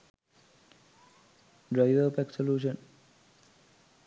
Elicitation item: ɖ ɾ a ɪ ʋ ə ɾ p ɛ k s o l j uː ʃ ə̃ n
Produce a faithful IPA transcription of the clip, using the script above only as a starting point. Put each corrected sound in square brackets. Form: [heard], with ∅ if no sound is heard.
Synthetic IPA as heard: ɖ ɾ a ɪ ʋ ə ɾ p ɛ k s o l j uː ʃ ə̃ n